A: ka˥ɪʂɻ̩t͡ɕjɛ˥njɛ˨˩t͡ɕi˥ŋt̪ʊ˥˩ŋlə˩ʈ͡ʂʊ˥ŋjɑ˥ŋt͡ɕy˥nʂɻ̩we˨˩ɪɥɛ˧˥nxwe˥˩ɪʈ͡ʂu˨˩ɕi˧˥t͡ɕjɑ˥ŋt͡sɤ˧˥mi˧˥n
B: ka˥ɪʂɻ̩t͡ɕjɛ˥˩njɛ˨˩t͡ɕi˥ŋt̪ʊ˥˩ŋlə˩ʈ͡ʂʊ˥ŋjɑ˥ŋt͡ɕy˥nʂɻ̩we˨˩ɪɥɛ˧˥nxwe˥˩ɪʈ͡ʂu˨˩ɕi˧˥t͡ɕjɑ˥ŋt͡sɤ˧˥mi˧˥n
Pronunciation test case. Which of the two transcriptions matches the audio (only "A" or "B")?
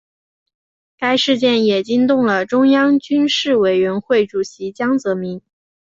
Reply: B